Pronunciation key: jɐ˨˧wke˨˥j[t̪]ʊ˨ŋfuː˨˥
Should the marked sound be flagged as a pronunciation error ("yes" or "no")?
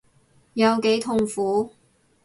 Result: yes